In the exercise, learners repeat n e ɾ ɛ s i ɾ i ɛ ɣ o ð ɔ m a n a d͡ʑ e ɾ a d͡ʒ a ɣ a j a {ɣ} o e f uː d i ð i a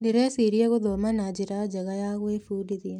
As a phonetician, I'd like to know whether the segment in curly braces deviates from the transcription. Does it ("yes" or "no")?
no